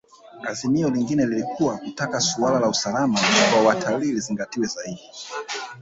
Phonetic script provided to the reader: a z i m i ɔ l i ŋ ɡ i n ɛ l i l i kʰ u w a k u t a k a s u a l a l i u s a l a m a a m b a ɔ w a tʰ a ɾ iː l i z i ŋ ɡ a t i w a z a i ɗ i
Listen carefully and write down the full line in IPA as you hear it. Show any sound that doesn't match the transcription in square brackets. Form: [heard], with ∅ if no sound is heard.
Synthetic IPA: a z i m i ɔ l i ŋ ɡ i n ɛ l i l i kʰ u w a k u t a k a s u a l a l [a] u s a l a m a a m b a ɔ w a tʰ a [l] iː l i z i ŋ ɡ a t i w [ɛ] z a i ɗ i